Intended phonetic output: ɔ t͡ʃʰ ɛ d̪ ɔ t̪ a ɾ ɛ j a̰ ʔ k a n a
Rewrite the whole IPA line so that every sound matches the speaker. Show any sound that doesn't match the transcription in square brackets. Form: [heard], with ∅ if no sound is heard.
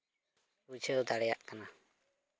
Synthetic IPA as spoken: [u] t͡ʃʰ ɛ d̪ ɔ [d̪] a [ɽ] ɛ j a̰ ʔ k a n a